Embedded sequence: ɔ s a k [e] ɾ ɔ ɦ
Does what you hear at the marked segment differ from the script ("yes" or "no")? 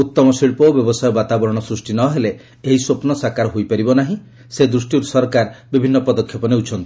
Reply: yes